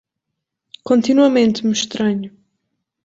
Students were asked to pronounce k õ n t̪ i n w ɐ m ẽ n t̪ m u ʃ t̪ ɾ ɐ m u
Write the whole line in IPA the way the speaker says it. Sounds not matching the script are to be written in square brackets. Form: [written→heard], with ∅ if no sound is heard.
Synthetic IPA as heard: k õ n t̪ i n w ɐ m ẽ n t̪ m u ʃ t̪ ɾ ɐ [m→ɲ] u